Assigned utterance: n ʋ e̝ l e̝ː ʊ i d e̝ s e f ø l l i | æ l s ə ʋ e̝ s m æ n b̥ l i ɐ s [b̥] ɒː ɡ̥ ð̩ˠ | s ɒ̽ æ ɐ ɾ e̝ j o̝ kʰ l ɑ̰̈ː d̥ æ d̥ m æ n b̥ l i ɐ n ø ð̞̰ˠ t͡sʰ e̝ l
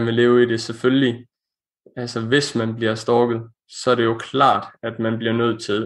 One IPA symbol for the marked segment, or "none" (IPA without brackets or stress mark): d̥